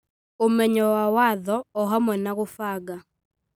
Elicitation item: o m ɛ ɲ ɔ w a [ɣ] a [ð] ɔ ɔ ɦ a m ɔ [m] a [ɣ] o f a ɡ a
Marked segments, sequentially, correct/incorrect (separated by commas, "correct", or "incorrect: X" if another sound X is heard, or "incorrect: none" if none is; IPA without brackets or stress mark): incorrect: w, correct, incorrect: n, correct